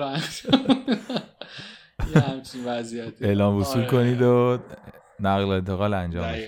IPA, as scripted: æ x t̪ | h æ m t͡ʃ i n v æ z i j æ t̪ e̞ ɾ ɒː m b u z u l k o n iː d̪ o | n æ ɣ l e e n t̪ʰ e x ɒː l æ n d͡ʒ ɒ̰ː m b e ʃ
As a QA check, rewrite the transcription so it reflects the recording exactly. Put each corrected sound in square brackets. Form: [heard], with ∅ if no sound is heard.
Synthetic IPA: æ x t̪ | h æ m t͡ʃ i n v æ z i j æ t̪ e̞ [l] ɒː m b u [s] u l k o n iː d̪ o | n æ ɣ l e e n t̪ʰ e [ɣ] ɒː l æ n d͡ʒ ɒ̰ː m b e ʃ